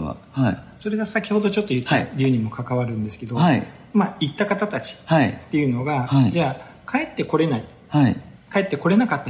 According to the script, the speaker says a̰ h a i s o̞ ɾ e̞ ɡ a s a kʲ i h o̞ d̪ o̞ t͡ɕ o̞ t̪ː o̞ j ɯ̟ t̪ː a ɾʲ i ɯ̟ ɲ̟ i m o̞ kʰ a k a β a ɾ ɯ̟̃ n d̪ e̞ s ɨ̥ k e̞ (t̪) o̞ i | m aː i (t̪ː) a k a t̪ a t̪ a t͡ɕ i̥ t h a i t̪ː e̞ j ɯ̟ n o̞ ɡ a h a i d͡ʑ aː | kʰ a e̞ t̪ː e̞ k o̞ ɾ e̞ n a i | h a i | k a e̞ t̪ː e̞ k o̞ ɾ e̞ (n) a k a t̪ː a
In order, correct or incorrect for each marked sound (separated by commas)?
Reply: incorrect, correct, correct